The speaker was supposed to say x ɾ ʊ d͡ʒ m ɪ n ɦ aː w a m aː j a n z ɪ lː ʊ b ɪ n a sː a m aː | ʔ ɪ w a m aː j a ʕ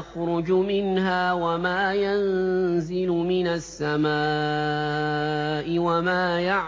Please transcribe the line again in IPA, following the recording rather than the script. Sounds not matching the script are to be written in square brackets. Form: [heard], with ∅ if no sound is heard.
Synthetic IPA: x ɾ ʊ d͡ʒ m ɪ n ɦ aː w a m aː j a n z ɪ [l] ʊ [m] ɪ n a sː a m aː | ʔ ɪ w a m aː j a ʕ